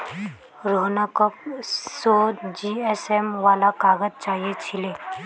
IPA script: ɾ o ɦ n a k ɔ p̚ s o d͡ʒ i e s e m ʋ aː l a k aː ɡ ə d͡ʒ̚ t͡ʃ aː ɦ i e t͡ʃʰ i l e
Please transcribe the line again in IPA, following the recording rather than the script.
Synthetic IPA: ɾ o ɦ n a k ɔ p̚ s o d͡ʒ i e s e m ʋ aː l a k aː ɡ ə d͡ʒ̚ t͡ʃ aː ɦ i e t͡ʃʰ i l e

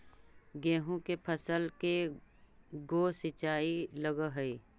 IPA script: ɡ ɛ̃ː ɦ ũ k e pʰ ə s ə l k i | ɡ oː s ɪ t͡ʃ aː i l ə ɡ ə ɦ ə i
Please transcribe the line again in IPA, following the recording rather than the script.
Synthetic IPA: ɡ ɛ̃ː ɦ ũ k e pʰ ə s ə l k e | ɡ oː s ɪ t͡ʃ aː i l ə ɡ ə ɦ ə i

